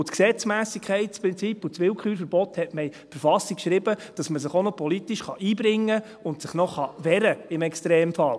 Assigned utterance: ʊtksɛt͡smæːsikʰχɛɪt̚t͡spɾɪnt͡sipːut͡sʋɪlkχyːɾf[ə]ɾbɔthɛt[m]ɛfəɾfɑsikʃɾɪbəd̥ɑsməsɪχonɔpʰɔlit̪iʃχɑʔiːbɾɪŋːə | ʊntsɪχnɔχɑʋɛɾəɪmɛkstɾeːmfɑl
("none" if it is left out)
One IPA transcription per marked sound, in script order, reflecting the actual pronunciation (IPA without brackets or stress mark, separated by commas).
ə, m